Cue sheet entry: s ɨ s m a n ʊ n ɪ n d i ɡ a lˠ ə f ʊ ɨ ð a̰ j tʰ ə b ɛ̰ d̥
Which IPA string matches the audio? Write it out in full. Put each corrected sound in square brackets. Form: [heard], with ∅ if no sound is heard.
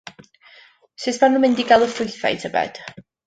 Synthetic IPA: s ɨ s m a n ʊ [m] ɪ n d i ɡ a lˠ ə f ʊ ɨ [θ] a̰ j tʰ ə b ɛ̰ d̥